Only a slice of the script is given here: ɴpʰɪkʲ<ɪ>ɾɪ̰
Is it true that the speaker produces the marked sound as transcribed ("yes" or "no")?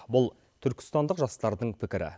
yes